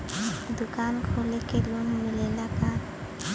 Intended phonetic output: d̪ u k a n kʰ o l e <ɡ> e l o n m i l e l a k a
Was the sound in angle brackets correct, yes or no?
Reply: no